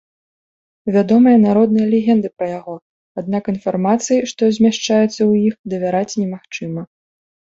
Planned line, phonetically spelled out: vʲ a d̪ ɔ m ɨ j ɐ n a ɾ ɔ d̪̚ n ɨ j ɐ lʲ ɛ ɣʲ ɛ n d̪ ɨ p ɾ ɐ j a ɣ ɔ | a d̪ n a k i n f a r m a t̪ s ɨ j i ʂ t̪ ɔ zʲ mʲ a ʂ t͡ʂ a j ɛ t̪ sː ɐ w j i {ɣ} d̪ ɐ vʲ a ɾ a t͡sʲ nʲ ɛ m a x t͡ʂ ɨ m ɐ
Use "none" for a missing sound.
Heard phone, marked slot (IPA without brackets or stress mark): x